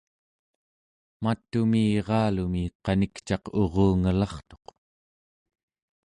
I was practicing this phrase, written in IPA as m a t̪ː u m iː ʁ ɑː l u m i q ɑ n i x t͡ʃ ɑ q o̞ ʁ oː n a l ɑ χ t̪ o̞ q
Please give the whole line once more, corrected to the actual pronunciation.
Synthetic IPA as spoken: m a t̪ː u m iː ʁ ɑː l u m i q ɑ n i k t͡ʃ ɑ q o̞ ʁ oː ŋ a l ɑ χ t̪ o̞ q